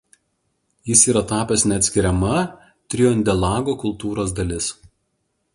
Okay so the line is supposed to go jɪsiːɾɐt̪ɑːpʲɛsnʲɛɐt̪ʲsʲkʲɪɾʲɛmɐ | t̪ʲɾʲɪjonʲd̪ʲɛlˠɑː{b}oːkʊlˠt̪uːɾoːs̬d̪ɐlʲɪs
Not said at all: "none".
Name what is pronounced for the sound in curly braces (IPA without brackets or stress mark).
ɡ